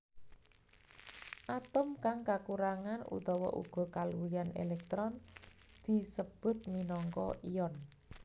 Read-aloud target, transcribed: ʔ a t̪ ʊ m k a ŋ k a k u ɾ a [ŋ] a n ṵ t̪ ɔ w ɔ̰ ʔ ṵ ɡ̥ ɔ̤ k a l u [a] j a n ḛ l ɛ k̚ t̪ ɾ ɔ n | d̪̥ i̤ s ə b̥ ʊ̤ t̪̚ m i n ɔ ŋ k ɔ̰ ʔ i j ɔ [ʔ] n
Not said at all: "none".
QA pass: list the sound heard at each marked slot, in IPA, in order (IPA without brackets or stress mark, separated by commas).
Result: ŋ, i, none